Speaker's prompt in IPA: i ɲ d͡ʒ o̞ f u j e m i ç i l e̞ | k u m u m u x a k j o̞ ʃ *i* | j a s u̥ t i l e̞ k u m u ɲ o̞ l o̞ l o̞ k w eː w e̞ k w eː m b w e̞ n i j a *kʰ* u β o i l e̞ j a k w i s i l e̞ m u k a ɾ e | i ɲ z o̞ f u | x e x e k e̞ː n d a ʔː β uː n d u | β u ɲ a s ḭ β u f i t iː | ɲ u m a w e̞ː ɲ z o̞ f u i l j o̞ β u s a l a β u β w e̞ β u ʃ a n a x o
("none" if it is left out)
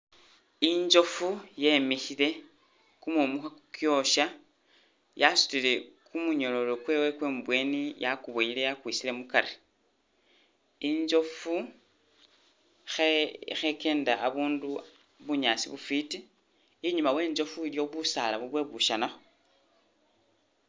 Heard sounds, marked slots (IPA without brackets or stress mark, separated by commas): a, k